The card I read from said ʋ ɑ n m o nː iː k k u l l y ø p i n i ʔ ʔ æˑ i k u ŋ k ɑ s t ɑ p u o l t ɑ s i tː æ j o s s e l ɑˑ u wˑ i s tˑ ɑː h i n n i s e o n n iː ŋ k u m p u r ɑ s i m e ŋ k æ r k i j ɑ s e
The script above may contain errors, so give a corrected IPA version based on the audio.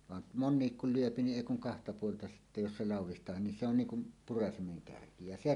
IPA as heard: ʋ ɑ n m o nː iː k k u l l y ø p i n i ʔ ʔ eˑ i k u ŋ k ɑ h t ɑ p u o l t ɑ s i tː æ j o s s e l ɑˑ u wˑ i s tˑ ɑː h i n n i s e o n n iː ŋ k u m p u r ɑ s i m e ŋ k æ r k i j ɑ s e